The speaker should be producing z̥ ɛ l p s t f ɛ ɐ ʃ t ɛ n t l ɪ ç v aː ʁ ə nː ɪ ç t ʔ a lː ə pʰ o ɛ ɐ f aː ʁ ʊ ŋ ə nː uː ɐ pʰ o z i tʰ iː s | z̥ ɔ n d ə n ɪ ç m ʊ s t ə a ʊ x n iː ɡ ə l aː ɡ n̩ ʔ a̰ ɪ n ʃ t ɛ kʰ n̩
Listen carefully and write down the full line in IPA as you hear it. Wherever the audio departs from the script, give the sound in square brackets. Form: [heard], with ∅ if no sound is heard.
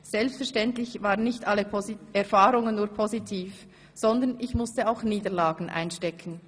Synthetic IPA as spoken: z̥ ɛ l p s t f ɛ ɐ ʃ t ɛ n t l ɪ ç v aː ʁ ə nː ɪ ç t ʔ a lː ə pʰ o ɛ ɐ f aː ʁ ʊ ŋ ə nː uː ɐ pʰ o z i tʰ iː [f] | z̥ ɔ n d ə n ɪ ç m ʊ s t ə a ʊ x n iː [d] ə l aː ɡ n̩ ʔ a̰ ɪ n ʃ t ɛ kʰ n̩

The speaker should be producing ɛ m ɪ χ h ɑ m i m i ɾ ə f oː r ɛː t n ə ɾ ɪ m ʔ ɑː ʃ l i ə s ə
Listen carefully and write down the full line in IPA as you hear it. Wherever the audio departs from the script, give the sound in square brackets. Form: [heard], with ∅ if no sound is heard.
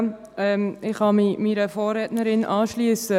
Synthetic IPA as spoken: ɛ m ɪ χ h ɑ m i m i ɾ ə f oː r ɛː t n ə ɾ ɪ [n] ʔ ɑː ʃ l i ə s ə

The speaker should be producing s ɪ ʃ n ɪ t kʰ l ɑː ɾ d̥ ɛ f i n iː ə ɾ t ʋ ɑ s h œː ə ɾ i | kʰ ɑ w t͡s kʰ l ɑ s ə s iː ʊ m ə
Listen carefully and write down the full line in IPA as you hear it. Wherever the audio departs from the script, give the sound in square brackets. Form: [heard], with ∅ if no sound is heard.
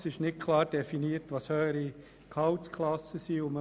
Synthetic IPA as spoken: s ɪ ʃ n ɪ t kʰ l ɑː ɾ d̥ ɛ f i n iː ə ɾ t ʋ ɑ s h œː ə ɾ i | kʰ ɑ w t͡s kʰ l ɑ s ə s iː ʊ m ə

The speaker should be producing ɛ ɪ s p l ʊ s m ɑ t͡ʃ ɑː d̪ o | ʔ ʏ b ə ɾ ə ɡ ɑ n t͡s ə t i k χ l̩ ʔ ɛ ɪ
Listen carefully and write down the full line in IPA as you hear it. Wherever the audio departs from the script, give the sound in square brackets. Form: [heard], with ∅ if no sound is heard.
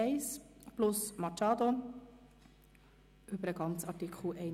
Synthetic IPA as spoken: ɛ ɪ s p l ʊ s m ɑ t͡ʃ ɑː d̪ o | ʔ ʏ b ə ɾ ə ɡ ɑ n t͡s [ɑ] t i k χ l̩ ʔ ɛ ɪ

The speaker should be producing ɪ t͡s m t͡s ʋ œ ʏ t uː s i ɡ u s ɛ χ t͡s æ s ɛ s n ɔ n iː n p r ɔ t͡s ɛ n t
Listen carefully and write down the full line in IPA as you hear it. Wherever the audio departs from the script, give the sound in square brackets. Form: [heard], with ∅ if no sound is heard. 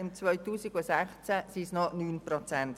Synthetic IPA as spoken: ɪ [∅] m t͡s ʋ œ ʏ t uː s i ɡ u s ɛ χ t͡s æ s [i] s n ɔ n [yː] n p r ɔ t͡s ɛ n t

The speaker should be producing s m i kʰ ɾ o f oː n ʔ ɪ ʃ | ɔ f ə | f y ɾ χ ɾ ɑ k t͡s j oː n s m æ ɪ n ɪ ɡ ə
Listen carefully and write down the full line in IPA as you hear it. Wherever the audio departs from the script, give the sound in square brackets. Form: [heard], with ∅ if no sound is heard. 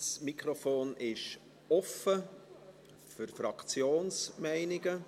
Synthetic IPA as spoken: s m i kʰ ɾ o f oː n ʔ ɪ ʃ | ɔ f ə | f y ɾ [f] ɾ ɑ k t͡s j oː n s m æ ɪ n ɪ ɡ ə

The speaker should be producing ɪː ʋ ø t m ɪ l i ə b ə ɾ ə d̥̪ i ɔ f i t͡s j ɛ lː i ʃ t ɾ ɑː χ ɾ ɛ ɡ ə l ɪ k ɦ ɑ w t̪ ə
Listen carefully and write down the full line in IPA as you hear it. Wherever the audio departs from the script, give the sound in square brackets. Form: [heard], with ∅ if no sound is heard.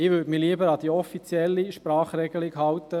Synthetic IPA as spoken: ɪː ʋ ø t m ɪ l i ə b ə ɾ [ɑ] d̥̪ i ɔ f i t͡s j ɛ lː i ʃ [p] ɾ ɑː χ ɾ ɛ ɡ ə l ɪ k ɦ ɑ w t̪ ə

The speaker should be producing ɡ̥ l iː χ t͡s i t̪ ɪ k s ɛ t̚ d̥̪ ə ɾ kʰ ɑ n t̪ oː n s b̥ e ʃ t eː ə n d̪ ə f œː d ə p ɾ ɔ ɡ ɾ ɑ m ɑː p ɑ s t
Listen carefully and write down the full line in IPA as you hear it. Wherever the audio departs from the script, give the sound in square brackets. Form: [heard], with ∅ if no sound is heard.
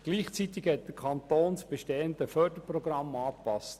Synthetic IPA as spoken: ɡ̥ l iː χ t͡s i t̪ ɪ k [h] ɛ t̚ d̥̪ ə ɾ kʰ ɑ n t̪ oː n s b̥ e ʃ t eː ə n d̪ ə f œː d ə p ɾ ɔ ɡ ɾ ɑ m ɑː p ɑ s t

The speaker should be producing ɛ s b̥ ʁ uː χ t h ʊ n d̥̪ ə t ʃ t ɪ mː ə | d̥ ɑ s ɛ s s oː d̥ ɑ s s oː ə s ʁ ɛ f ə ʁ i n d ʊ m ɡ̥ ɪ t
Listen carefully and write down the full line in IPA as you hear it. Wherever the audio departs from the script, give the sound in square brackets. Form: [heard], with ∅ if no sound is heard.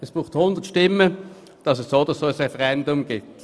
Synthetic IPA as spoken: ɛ s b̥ ʁ uː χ t h ʊ n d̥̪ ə t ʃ t ɪ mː ə | d̥ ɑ s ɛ s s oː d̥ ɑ s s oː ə s ʁ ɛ f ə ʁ [ɛ] n d ʊ m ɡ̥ ɪ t

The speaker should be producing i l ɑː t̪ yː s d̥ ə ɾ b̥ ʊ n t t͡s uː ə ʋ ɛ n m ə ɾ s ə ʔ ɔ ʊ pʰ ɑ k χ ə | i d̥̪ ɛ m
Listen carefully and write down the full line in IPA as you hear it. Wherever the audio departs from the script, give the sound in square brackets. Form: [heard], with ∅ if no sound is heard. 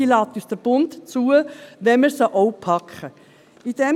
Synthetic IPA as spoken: i l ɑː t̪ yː s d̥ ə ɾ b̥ ʊ n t t͡s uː ə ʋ ɛ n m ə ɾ s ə ʔ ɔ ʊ pʰ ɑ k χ ə | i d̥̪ ɛ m

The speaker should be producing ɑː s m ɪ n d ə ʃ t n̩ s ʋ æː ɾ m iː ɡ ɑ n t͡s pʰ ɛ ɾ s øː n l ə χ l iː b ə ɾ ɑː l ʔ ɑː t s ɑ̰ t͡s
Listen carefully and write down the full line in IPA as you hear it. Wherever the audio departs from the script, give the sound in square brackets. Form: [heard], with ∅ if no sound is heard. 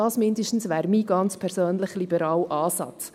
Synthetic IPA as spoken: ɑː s m ɪ n d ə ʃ t n̩ s ʋ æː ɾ m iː ɡ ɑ n t͡s pʰ ɛ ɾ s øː n l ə χ l [i] b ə ɾ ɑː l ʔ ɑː [∅] s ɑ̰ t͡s

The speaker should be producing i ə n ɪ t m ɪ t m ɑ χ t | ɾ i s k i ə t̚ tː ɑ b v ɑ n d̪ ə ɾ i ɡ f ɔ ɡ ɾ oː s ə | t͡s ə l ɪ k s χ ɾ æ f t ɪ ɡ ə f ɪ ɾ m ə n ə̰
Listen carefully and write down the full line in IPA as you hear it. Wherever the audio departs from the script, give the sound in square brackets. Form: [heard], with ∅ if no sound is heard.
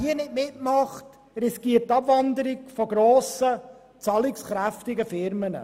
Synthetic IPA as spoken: i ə n ɪ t m ɪ t m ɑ χ t | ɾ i s k i ə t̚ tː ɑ b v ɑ n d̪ ə ɾ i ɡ f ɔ ɡ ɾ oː s ə | t͡s [ɑ] l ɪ k s χ ɾ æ f t ɪ ɡ ə f ɪ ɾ m ə n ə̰

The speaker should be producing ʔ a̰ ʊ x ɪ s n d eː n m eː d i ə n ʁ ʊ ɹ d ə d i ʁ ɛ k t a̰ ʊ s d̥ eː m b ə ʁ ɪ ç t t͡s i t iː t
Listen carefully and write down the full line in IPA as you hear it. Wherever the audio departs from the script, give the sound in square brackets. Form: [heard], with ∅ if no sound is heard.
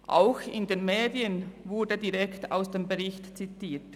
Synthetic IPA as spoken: ʔ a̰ ʊ x ɪ [∅] n d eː n m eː d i ə n [v] ʊ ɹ d ə d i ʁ ɛ k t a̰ ʊ s d̥ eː m b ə ʁ ɪ ç t t͡s i t iː t

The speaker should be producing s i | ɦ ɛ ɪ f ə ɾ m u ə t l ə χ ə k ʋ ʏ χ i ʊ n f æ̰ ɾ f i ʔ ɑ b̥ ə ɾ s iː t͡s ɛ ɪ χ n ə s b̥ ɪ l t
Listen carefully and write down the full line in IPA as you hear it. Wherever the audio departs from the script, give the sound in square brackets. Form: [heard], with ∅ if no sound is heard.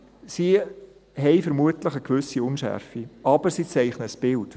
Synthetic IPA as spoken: s i | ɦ ɛ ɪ f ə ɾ m u ə t l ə χ ə k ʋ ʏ [s] i ʊ n [ʃ] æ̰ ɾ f i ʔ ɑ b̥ ə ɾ s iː t͡s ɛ ɪ χ n ə s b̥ ɪ l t

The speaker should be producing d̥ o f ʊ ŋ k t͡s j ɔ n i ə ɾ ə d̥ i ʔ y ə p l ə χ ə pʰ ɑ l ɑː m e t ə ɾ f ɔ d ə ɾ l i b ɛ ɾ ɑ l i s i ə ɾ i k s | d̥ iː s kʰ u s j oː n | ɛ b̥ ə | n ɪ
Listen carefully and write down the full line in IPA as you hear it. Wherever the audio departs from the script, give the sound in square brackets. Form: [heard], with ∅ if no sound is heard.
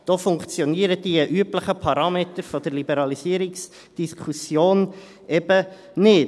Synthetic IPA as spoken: d̥ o f ʊ ŋ k t͡s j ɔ n i ə ɾ ə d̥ i ʔ y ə p l ə χ ə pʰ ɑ [ɾ] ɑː m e t ə ɾ f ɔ d ə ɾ l i b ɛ ɾ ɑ l i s i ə ɾ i k s | d̥ [i] s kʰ u s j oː n | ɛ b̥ ə | n ɪ

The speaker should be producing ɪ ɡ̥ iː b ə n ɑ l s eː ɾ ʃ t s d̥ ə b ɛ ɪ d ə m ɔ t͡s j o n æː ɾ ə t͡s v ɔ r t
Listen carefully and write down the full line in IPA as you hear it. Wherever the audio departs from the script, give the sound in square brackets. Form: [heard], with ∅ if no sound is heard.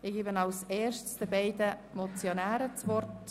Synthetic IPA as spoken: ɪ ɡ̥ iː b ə n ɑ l s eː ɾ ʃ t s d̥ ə b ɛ ɪ d ə m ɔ t͡s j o n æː ɾ ə t͡s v ɔ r t

